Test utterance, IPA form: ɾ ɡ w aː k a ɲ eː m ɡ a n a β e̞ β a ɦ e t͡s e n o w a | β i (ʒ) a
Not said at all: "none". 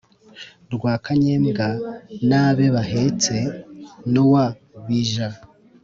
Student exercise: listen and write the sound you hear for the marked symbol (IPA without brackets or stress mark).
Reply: ʒ